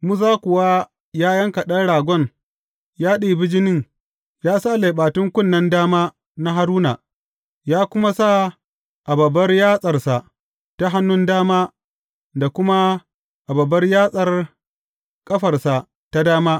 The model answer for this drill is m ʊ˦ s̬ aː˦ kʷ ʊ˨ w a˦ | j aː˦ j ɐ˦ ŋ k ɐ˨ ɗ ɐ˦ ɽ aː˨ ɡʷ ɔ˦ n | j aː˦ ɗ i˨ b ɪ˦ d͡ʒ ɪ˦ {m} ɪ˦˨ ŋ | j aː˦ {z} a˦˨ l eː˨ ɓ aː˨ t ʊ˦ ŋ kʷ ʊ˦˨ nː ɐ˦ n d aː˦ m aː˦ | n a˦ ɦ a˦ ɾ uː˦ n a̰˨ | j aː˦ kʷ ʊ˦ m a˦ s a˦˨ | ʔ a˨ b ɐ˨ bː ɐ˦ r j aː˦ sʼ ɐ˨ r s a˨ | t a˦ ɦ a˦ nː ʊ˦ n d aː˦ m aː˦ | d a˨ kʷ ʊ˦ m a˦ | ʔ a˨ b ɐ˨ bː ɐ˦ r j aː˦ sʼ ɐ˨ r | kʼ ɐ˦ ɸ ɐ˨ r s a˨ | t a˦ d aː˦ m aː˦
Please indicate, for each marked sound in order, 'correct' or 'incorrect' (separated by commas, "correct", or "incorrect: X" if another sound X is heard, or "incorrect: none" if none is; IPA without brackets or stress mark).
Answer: incorrect: n, incorrect: s